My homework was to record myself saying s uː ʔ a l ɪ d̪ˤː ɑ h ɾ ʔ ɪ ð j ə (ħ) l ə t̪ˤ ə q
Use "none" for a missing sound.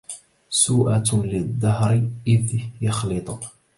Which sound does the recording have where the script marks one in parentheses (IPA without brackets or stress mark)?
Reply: x